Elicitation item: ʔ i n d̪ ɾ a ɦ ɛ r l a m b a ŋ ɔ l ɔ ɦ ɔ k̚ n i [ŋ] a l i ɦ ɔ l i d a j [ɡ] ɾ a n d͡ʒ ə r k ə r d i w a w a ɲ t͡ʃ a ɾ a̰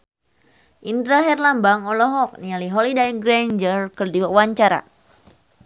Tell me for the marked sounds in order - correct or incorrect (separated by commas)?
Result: incorrect, correct